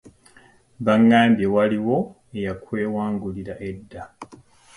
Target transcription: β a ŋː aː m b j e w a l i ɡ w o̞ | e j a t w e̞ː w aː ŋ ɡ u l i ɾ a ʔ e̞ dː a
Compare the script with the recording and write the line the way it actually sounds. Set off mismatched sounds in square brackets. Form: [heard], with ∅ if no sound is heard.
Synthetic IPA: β a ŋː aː m b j e w a l i [∅] w o̞ | e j a [k] w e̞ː w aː ŋ ɡ u l i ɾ a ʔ e̞ dː a